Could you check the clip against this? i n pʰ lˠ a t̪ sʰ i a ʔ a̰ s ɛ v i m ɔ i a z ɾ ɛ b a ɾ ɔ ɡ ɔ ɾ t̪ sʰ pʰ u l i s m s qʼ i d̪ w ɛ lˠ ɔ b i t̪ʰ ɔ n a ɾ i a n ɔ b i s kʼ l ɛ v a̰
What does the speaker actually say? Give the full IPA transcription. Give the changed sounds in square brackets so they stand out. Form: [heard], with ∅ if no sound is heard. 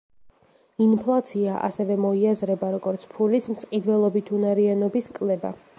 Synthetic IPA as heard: i n pʰ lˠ a t̪ sʰ i a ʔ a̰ s ɛ v [ɛ] m ɔ i a z ɾ ɛ b a ɾ ɔ ɡ ɔ ɾ t̪ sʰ pʰ u l i s m s qʼ i d̪ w ɛ lˠ ɔ b i t̪ʰ [u] n a ɾ i a n ɔ b i s kʼ l ɛ [b] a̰